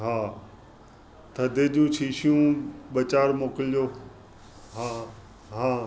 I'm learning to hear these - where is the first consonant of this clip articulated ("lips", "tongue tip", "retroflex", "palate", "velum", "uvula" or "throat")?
throat